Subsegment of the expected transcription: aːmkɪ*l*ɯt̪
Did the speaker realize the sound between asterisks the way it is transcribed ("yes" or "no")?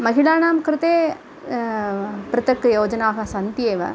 no